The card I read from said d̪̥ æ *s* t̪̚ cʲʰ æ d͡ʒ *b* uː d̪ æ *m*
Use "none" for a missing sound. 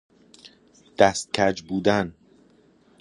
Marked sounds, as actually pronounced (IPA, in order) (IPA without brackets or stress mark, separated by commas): s, b, n